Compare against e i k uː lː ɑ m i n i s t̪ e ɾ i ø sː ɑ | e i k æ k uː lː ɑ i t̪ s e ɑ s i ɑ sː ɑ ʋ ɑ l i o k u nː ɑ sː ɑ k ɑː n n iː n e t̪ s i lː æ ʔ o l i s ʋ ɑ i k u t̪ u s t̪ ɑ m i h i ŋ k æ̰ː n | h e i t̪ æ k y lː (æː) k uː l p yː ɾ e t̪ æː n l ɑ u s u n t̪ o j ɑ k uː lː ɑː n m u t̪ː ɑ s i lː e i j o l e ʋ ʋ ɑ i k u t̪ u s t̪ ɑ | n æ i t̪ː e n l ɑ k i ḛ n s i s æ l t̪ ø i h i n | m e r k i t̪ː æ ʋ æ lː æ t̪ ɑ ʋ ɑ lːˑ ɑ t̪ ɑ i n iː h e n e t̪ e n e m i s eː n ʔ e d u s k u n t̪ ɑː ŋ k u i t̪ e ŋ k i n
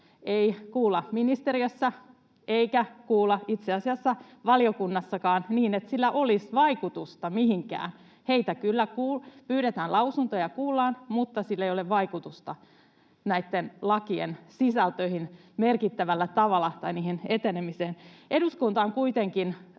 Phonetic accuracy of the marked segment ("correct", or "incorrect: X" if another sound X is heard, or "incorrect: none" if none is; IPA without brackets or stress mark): incorrect: æ